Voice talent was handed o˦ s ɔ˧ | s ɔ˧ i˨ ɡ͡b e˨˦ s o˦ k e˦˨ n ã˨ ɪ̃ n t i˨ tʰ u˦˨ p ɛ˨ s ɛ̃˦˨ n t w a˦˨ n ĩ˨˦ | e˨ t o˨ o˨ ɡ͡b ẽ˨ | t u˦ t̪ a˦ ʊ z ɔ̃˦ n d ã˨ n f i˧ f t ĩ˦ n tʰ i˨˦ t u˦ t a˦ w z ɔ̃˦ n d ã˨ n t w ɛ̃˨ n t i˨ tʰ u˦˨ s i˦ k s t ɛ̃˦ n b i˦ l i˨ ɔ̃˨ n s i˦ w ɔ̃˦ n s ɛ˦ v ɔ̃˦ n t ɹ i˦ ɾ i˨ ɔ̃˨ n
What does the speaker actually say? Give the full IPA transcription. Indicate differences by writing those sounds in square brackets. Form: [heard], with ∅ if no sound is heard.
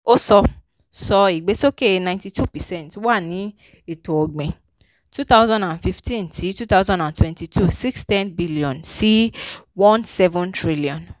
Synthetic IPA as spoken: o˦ s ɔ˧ | s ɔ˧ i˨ ɡ͡b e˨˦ s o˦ k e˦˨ n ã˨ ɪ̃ n t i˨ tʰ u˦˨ p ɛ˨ s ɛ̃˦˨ n t w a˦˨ n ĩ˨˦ | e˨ t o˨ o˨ ɡ͡b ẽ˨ | t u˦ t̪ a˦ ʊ z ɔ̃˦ n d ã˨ n f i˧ f t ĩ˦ n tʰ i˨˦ t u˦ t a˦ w z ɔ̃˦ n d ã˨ n t w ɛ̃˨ n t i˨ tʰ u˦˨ s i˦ k s t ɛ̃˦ n b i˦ l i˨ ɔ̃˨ n s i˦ w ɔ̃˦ n s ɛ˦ v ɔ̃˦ n t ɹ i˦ [l] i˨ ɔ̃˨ n